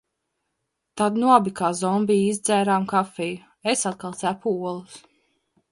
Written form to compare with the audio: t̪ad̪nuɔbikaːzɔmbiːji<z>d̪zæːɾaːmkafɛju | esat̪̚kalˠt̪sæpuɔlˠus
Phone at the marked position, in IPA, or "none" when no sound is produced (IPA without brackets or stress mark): z